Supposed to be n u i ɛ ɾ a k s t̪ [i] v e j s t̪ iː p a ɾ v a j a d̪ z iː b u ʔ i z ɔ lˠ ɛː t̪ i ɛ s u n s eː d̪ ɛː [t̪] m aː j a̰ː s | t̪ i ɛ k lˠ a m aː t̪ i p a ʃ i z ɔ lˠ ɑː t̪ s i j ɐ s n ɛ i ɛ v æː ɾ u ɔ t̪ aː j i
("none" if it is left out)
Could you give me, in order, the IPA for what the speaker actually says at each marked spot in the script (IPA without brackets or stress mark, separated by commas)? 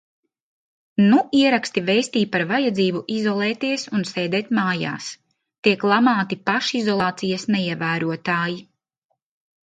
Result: i, t̪